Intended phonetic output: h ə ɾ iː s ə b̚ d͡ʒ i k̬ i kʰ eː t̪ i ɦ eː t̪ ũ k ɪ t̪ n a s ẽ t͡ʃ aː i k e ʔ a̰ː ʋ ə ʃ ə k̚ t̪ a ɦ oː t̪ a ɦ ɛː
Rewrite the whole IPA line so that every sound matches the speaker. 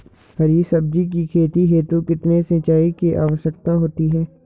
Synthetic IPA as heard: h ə ɾ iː s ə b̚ d͡ʒ i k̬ i kʰ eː t̪ i ɦ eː t̪ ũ k ɪ t̪ n e s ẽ t͡ʃ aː i k e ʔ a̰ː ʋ ə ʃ ə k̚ t̪ a ɦ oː t̪ i ɦ ɛː

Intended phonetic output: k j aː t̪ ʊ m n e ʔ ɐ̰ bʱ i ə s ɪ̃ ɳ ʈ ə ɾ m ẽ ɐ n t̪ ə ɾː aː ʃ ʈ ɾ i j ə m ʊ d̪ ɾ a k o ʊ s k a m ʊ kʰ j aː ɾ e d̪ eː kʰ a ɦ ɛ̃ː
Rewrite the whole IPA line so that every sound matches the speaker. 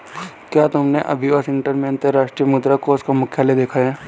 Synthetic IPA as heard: k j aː t̪ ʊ m n e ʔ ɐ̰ bʱ i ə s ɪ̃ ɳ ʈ ə ɾ m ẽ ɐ n t̪ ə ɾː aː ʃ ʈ ɾ i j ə m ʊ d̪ ɾ a k o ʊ s k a m ʊ kʰ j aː l e d̪ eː kʰ a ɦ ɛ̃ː

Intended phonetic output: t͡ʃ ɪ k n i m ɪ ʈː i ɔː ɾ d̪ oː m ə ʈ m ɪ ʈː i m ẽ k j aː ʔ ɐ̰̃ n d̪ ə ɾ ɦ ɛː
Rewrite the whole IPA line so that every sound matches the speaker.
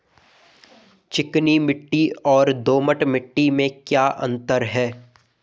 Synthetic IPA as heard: t͡ʃ ɪ k n i m ɪ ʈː i ɔː ɾ d̪ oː m ə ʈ m ɪ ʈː i m ẽ k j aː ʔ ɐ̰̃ n t̪ ə ɾ ɦ ɛː

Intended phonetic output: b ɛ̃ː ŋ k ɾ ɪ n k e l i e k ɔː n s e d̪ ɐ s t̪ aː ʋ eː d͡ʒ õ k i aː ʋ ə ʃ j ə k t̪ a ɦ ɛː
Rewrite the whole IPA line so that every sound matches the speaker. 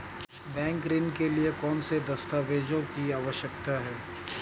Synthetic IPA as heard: b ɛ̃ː ŋ k ɾ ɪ n k e l i e k ɔː n s e d̪ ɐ s t̪ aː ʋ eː d͡ʒ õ k i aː ʋ ə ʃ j ə k t̪ a ɦ ɛː

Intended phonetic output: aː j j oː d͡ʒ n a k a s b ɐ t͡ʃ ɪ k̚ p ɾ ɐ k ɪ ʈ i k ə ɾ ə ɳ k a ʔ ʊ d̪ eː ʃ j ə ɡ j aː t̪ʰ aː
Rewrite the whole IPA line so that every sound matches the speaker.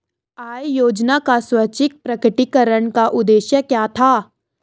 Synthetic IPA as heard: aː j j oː d͡ʒ n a k a s w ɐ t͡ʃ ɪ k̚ p ɾ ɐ k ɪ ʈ i k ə ɾ ə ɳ k a ʔ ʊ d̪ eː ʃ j ə k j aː t̪ʰ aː

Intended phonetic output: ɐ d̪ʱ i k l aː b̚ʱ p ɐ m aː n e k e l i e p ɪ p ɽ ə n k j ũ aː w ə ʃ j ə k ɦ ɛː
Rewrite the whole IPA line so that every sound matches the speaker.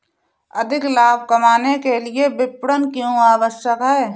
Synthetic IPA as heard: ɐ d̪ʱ ɪ k l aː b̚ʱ k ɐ m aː n e k e l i e b ɪ p ɽ ə n k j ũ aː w ə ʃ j ə k ɦ ɛː

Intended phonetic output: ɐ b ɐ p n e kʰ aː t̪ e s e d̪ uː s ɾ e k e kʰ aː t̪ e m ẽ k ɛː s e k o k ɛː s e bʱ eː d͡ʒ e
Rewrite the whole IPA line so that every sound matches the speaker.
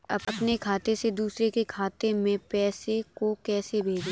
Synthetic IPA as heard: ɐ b ɐ p n e kʰ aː t̪ e s e d̪ uː s ɾ e k e kʰ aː t̪ e m ẽ p ɛː s e k o k ɛː s e bʱ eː d͡ʒ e

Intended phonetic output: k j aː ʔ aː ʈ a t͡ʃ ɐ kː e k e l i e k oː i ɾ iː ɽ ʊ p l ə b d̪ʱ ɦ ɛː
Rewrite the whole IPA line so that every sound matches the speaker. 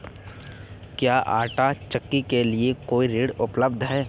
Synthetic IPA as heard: k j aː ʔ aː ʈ a t͡ʃ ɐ kː i k e l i e k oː i ɾ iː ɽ ʊ p l ə b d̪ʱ ɦ ɛː

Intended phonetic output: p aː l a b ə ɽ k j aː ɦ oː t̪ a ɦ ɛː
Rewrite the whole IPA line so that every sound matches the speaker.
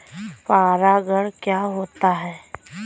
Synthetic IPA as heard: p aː ɾ a ɡ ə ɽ k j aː ɦ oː t̪ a ɦ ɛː

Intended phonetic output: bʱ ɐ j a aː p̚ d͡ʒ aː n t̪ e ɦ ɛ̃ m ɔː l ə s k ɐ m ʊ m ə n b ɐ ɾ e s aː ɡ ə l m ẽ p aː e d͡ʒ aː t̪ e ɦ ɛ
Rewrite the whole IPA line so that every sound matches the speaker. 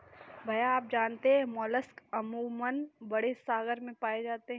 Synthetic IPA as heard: bʱ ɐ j a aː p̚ d͡ʒ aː n t̪ e ɦ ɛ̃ m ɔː l ə s k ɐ m u m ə n b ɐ ɽ e s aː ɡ ə ɾ m ẽ p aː e d͡ʒ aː t̪ e ɦ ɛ

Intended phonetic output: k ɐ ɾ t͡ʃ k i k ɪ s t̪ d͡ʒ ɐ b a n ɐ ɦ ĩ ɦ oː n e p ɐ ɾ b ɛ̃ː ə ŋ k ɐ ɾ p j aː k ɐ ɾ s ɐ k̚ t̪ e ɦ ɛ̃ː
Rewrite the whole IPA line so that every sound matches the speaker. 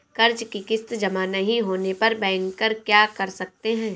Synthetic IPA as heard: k ɐ ɾ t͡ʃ k i k ɪ s t̪ d͡ʒ ɐ m a n ɐ ɦ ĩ ɦ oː n e p ɐ ɾ b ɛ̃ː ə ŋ k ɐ ɾ k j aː k ɐ ɾ s ɐ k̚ t̪ e ɦ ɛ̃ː

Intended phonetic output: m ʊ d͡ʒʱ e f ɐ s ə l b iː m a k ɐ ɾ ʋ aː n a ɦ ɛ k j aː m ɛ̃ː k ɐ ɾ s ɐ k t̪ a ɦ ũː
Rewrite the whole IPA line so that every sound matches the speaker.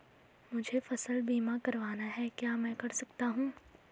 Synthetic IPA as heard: m ʊ d͡ʒʱ e f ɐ s ə l b iː m a k ɐ ɾ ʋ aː n a ɦ ɛ k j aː m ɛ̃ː k ɐ ɾ s ɐ k t̪ a ɦ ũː

